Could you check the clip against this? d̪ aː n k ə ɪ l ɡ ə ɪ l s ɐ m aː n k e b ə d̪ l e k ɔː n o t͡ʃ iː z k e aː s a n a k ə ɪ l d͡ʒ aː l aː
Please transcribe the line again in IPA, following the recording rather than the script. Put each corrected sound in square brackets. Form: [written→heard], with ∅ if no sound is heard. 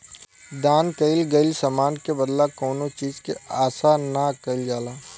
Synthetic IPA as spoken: d̪ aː n k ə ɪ l ɡ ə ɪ l s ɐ m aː n k e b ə d̪ l [e→a] k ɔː n o t͡ʃ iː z k e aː s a n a k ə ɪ l d͡ʒ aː l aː